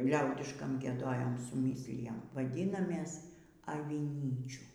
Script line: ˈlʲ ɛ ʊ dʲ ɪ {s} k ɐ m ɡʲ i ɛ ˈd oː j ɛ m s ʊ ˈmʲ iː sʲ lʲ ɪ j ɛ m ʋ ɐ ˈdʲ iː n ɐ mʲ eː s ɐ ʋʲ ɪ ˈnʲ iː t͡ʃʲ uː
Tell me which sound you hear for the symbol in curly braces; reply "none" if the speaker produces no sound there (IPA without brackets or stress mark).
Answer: ʃ